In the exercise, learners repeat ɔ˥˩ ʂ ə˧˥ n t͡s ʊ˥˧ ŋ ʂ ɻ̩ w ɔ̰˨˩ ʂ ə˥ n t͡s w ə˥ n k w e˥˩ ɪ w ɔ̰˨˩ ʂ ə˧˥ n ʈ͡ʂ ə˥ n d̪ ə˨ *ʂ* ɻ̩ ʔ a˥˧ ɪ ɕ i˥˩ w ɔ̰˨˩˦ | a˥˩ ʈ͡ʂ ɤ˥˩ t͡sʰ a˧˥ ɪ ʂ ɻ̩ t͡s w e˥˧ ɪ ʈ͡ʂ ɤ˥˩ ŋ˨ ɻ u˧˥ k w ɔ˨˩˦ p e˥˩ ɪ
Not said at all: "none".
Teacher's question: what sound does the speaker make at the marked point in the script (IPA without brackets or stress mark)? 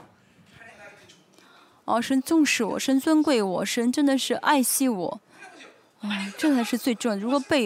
ʂ